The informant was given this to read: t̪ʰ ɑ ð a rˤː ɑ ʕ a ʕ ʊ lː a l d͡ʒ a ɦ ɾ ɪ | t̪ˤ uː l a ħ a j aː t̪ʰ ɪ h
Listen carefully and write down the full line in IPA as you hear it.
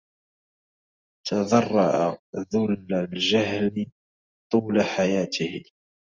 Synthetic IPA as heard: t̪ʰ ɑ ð ɑ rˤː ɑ ʕ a ð ʊ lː a l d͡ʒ a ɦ l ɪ | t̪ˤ uː l a ħ a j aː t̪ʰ ɪ h